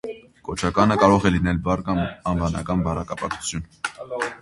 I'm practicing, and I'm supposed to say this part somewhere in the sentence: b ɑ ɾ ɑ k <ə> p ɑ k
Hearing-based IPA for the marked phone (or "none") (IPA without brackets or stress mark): ɑ